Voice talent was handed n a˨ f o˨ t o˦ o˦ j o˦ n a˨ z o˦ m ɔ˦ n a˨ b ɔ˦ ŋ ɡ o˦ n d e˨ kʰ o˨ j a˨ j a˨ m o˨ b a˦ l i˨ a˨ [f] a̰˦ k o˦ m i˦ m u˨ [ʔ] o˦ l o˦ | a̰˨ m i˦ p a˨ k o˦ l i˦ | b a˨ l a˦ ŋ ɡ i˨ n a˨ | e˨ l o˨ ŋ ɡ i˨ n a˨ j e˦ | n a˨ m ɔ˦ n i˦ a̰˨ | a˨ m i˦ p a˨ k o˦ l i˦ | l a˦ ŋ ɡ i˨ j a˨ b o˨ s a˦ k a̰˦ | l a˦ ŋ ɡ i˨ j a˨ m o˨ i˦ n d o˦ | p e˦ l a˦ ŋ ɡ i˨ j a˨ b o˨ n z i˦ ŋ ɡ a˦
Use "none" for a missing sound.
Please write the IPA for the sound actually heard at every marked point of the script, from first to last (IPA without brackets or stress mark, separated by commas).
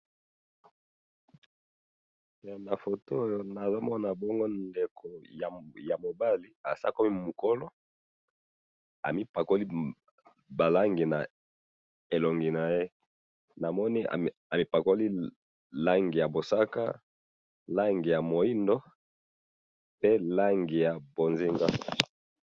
s, k